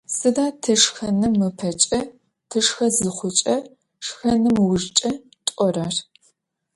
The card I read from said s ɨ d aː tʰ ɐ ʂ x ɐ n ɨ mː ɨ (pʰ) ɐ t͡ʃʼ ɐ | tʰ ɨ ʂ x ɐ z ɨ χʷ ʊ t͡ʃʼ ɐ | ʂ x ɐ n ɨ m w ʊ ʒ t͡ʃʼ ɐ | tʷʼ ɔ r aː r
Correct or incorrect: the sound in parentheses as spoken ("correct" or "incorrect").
correct